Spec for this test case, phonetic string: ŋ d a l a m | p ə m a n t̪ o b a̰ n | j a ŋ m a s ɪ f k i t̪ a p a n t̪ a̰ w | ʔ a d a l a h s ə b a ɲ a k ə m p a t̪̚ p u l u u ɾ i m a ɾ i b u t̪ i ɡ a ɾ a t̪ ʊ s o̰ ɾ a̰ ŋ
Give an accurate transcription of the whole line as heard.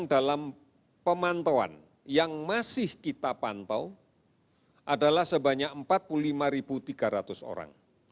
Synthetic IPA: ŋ d a l a m | p ə m a n t̪ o w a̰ n | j a ŋ m a s ɪ h k i t̪ a p a n t̪ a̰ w | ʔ a d a l a h s ə b a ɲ a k ə m p a t̪̚ p u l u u l i m a ɾ i b u t̪ i ɡ a ɾ a t̪ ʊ s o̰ ɾ a̰ ŋ